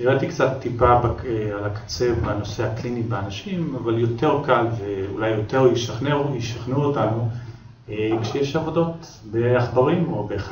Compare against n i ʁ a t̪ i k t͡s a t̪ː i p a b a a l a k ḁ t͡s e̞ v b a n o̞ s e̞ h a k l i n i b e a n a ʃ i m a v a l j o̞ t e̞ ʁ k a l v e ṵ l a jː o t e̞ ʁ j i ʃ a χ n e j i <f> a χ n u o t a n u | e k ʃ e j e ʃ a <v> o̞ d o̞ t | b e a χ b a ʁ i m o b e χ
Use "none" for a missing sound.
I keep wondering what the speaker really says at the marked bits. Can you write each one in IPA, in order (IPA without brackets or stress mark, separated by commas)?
ʃ, v